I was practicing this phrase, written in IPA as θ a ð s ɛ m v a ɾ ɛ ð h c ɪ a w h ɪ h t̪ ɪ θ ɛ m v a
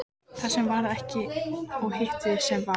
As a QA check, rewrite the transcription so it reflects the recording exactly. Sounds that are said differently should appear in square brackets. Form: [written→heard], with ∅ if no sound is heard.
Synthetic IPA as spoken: θ a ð s ɛ m v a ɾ ɛ [ð→∅] h c ɪ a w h ɪ h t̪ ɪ [θ→s] ɛ m v a